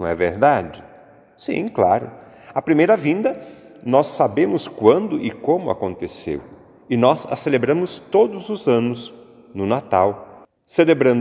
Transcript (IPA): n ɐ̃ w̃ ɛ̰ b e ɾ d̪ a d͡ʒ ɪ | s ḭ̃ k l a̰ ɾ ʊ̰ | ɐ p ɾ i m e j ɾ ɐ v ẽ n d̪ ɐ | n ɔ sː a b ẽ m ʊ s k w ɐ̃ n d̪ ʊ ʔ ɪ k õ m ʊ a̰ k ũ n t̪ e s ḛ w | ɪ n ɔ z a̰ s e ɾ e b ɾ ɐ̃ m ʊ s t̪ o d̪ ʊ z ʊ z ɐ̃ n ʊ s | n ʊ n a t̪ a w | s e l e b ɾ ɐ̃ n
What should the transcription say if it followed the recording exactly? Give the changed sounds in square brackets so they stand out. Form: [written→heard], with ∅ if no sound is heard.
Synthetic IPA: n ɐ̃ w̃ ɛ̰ [b→v] e ɾ d̪ a d͡ʒ ɪ | s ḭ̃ k l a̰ ɾ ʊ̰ | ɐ p ɾ i m e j ɾ ɐ v [ẽ→ĩ] n d̪ ɐ | n ɔ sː a b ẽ m ʊ s k w ɐ̃ n d̪ ʊ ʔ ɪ k õ m ʊ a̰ k [ũ→õ] n t̪ e s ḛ w | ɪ n ɔ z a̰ s e [ɾ→l] e b ɾ ɐ̃ m ʊ s t̪ o d̪ ʊ z ʊ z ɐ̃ n ʊ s | n ʊ n a t̪ a w | s e l e b ɾ ɐ̃ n